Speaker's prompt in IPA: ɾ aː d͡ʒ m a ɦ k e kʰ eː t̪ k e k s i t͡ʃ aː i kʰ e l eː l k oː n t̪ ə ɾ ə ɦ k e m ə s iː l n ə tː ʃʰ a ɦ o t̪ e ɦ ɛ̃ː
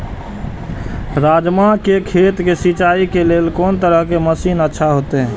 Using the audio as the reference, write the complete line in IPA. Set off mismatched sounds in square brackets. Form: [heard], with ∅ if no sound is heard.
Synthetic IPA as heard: ɾ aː d͡ʒ m a [∅] k e kʰ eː t̪ k e [∅] s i t͡ʃ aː i [k] e l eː l k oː n t̪ ə ɾ ə ɦ k e m ə s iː [∅] n ə tː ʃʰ a ɦ o t̪ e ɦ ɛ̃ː